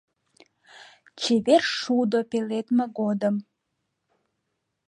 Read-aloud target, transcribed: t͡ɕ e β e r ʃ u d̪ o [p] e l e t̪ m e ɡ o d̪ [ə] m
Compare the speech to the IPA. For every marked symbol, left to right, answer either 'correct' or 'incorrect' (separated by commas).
correct, correct